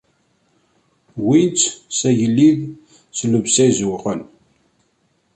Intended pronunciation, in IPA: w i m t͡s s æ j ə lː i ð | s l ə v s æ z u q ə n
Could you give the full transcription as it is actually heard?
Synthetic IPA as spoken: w i n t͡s s æ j ə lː i ð | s l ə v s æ z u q ə n

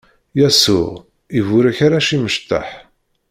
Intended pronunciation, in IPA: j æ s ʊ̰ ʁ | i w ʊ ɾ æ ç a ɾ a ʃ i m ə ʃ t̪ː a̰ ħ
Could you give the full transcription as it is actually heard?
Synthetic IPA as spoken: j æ s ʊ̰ ʁ | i v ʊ ɾ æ ç a ɾ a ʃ i m ə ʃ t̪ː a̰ ħ

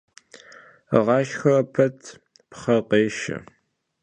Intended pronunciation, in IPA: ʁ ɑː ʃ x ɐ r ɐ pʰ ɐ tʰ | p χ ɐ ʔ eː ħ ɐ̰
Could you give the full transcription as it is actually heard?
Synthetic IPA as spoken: ʁ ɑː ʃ x ɐ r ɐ pʰ ɐ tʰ | p χ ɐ q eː ʃ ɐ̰

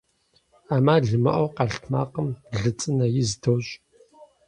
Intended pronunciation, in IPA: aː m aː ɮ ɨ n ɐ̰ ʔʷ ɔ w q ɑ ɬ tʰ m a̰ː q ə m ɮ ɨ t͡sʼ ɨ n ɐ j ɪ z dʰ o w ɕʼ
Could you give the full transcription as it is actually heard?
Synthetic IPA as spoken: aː m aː ɮ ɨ m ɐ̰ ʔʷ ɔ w q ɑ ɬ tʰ m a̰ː q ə m ɮ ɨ t͡sʼ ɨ n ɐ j ɪ z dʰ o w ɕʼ

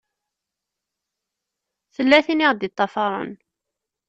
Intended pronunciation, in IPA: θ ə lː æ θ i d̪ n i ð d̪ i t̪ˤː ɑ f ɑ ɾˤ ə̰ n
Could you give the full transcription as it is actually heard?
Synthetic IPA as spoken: θ ə lː æ θ i n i ʁ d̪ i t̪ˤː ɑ f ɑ ɾˤ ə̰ n

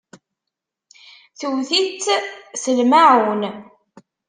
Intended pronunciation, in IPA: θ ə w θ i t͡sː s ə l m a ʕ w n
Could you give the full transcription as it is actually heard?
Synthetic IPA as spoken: θ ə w θ i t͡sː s ə l m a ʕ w n

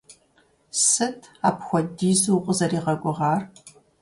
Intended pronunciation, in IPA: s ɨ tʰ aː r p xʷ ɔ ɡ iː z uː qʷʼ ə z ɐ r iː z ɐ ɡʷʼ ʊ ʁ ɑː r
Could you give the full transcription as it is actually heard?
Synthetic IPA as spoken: s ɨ tʰ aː p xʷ ɔ d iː z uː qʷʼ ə z ɐ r iː ʁ ɐ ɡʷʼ ʊ ʁ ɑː r

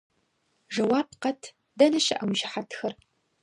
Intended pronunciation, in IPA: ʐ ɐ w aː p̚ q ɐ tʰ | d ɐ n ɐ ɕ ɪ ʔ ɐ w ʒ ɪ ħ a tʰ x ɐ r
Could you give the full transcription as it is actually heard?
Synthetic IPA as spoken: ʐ ɐ w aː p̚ q ɐ tʰ | d ɐ n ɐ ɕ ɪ ʔ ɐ w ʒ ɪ ħ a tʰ x ɐ r

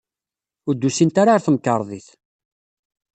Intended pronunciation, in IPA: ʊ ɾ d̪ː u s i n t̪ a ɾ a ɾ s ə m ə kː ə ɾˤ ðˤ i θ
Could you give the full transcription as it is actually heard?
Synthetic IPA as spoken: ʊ ɾ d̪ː u s i n t̪ a ɾ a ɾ θ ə m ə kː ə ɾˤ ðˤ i θ

